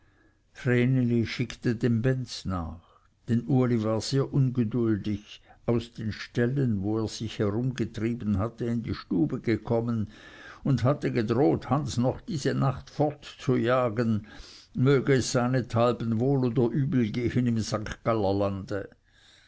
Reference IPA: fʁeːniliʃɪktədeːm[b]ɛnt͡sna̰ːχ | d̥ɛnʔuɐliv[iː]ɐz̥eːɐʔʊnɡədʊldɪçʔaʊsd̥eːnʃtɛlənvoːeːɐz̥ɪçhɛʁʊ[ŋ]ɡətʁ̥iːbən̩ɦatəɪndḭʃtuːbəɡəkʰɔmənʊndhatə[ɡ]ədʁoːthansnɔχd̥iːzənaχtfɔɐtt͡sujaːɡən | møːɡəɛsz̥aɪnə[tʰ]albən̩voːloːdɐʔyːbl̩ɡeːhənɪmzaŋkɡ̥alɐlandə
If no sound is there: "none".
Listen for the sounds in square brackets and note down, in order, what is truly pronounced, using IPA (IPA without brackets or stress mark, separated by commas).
b, aː, m, ɡ, tʰ